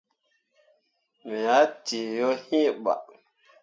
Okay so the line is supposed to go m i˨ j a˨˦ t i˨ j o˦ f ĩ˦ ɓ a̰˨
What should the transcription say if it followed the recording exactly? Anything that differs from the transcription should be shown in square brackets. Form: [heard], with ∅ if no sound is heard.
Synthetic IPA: m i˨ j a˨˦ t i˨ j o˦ [h] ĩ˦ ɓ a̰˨